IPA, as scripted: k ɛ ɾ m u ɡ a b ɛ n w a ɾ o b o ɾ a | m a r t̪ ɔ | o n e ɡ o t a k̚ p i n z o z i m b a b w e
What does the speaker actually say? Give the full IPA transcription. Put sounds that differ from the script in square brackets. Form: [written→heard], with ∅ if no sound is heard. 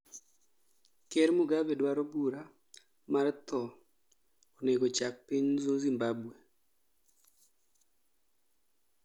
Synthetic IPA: k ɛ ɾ m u ɡ a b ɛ [n→d] w a ɾ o b [o→u] ɾ a | m a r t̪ ɔ | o n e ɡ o [t→t͡ʃ] a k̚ p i [n→ɲ] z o z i m b a b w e